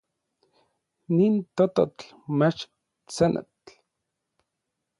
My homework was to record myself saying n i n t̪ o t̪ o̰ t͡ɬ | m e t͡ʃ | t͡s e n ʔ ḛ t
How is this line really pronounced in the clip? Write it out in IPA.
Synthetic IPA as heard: n i n t̪ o t̪ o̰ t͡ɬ | m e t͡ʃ | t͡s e n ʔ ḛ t